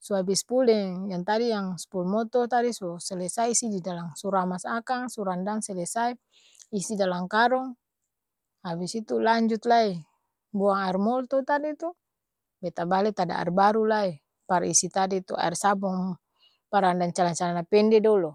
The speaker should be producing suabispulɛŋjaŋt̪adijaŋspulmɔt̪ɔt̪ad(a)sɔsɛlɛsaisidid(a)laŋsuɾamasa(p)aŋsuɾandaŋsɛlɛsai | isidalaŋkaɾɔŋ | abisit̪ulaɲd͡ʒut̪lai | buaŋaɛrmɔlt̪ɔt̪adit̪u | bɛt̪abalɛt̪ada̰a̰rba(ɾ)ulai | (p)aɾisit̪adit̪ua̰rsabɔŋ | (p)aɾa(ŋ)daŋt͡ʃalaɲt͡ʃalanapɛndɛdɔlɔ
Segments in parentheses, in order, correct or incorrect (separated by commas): incorrect, correct, incorrect, correct, correct, correct, incorrect